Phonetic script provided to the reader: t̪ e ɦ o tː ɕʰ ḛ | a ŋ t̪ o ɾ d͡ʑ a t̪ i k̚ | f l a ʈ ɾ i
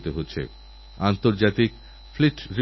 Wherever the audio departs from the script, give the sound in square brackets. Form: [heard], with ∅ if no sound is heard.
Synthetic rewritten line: t̪ e ɦ o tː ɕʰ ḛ | a [n] t̪ o ɾ d͡ʑ a t̪ i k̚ | f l [i] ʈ ɾ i